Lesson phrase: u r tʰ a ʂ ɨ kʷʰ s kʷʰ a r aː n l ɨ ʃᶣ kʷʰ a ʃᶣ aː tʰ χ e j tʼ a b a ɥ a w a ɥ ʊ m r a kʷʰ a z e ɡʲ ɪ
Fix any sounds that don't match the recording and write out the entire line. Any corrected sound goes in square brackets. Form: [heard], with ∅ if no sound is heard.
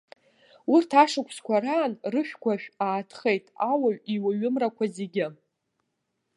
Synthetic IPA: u r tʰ a ʂ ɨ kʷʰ s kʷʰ a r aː n [r] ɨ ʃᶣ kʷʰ a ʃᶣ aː tʰ χ e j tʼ a [w] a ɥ [i] w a ɥ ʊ m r a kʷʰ a z e ɡʲ ɪ

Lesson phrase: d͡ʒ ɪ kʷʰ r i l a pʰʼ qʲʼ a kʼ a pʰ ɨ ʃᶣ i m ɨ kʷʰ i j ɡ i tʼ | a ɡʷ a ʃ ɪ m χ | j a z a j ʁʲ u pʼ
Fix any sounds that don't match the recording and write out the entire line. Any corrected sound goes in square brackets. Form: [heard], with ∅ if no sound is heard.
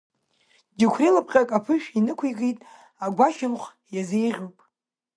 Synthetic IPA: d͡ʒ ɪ kʷʰ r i l a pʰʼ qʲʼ a kʼ a pʰ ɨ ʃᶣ i [n] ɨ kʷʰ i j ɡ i tʼ | a ɡʷ a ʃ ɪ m χ | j a z [e] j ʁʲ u pʼ

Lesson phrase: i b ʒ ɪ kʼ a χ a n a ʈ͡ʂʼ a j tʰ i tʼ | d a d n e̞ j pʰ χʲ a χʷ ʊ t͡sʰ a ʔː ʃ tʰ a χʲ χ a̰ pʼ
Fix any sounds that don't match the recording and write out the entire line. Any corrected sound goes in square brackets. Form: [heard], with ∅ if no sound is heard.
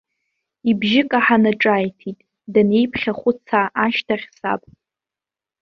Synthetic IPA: i b ʒ ɪ kʼ a [ħ] a n a ʈ͡ʂʼ a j tʰ i tʼ | d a [∅] n e̞ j pʰ χʲ a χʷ ʊ t͡sʰ a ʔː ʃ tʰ a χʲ [s] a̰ pʼ

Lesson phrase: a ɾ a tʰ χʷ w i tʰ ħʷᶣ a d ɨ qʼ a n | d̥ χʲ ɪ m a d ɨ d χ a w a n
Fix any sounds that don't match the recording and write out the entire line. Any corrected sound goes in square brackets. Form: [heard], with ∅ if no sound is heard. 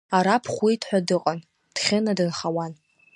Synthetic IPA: a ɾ a [pʰ] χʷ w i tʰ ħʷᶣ a d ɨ qʼ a n | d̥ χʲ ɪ [n] a d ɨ [n] χ a w a n

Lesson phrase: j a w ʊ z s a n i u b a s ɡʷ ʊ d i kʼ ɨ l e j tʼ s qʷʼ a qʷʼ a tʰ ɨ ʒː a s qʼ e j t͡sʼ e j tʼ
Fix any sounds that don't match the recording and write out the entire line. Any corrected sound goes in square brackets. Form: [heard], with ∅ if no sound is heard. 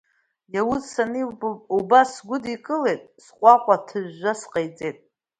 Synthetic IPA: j a w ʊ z s a n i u b a s ɡʷ ʊ d i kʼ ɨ l e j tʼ s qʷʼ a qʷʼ a tʰ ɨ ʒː a s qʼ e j t͡sʼ e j tʼ

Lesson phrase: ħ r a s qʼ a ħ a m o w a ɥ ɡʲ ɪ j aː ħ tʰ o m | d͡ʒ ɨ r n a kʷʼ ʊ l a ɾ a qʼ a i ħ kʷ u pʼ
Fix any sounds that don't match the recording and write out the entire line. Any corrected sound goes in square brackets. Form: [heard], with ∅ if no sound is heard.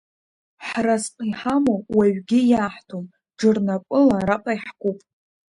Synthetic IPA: ħ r a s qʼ [i] ħ a m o w a ɥ ɡʲ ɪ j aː ħ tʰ o m | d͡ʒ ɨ r n a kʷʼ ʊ l a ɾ a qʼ a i ħ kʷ u pʼ

